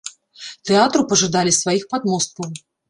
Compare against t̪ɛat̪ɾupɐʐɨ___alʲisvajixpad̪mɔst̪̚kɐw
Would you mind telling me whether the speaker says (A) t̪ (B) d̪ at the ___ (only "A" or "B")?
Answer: B